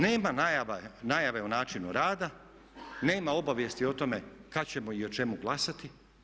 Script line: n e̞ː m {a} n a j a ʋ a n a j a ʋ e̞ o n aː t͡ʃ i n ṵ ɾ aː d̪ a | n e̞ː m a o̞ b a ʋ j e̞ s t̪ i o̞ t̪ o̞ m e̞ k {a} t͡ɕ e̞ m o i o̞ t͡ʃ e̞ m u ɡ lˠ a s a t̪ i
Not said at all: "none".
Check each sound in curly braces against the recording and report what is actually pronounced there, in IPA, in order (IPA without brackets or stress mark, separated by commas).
a, a